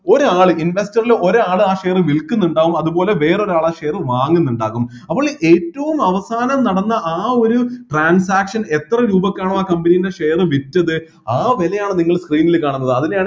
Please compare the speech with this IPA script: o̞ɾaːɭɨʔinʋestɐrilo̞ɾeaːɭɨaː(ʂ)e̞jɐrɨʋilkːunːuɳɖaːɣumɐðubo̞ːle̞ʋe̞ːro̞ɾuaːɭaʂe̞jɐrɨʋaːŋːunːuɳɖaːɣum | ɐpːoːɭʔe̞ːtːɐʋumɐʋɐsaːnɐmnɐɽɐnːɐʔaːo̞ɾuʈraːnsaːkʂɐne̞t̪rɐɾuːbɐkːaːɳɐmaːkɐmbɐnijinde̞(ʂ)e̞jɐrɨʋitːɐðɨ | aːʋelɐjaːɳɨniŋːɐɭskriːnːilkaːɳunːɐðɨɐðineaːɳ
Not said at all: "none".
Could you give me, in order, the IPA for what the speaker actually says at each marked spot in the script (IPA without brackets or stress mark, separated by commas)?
ʂ, ʂ